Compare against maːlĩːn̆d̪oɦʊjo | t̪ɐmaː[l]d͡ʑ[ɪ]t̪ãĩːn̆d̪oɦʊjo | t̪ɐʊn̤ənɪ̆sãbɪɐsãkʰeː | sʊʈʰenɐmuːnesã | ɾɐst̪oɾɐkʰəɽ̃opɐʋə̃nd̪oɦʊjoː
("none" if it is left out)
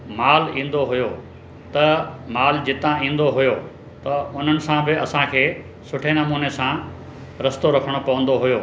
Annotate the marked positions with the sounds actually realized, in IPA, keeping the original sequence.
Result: l, ɪ

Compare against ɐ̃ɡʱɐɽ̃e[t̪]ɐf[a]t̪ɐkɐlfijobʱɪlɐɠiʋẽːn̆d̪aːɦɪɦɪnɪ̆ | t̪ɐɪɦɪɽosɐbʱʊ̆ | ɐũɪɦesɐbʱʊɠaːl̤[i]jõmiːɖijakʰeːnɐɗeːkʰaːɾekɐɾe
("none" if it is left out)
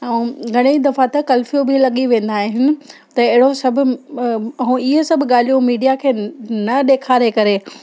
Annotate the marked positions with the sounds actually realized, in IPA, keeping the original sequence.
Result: d̪, a, i

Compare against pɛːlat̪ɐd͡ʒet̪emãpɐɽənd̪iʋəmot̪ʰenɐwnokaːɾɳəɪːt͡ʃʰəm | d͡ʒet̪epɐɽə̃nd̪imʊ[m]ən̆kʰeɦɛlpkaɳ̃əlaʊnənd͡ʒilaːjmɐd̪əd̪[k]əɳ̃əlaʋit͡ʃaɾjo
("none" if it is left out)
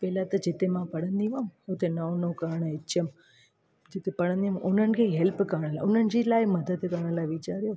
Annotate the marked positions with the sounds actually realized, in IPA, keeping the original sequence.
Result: n, k

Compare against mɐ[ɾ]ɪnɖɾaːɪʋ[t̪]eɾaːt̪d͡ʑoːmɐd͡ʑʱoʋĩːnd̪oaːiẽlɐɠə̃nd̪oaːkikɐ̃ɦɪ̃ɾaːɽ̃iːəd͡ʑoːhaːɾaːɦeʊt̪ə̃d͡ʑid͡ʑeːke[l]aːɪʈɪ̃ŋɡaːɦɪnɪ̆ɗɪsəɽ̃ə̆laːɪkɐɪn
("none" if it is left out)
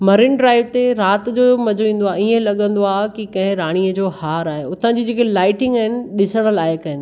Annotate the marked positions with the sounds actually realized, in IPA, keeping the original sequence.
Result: ɾ, t̪, l

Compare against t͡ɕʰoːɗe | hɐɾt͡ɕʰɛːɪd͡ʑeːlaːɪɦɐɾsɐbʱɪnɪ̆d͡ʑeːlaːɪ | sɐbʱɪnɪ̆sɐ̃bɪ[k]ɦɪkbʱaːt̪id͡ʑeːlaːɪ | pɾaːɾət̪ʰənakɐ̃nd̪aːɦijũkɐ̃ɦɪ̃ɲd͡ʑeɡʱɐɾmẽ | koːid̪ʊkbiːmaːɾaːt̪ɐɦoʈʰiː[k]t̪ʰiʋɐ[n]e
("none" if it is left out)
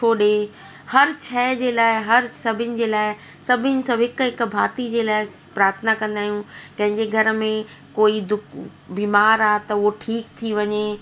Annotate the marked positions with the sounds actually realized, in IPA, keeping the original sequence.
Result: k, k, ɲ

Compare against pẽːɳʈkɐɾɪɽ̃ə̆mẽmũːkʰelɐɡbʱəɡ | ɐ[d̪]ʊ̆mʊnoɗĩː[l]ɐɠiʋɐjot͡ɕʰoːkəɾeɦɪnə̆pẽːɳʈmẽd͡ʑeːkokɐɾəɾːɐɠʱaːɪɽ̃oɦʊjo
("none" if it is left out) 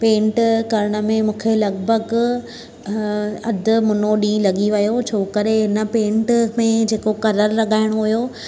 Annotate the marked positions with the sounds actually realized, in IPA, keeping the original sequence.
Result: d̪, l

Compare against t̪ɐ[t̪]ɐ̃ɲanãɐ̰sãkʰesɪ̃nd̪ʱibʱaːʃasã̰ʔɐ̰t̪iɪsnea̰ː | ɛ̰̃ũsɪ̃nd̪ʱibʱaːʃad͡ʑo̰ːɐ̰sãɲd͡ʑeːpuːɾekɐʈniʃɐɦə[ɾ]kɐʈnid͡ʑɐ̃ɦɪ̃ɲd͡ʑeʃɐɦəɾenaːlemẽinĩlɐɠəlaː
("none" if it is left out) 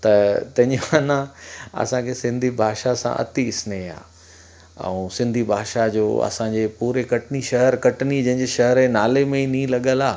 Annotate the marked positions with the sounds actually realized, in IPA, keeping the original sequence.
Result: t̪, ɾ

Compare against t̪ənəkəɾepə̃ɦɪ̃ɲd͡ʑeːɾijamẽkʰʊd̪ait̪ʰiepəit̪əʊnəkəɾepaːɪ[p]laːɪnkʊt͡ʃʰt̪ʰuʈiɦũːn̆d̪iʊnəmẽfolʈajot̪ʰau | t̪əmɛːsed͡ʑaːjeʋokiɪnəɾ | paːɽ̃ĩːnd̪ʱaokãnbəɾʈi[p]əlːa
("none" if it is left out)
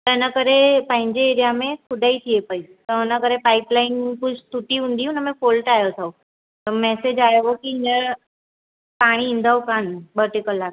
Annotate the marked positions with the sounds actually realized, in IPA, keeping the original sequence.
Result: p, k

